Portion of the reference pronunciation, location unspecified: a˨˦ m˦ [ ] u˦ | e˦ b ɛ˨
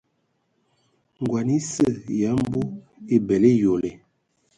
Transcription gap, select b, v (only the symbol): b